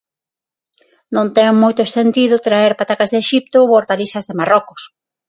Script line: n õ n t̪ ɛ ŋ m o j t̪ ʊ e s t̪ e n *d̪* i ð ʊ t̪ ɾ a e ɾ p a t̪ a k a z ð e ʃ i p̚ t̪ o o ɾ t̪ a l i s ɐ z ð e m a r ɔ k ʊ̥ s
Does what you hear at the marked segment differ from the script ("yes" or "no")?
yes